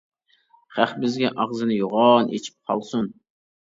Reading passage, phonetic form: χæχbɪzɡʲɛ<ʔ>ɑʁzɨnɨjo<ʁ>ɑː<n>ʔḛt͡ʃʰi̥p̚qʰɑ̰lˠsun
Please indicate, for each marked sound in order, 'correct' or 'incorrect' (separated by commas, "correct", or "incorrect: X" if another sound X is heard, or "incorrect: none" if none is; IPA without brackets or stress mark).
correct, correct, correct